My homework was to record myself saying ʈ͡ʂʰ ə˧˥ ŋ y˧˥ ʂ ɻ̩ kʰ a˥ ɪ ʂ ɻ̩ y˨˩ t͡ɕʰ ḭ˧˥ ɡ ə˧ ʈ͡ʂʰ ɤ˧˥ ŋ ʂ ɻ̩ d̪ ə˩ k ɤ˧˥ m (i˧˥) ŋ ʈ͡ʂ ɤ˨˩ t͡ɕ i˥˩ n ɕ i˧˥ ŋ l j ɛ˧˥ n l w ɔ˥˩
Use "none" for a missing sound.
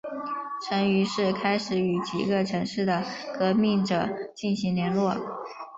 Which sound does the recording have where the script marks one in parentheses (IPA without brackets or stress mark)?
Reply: i˥˩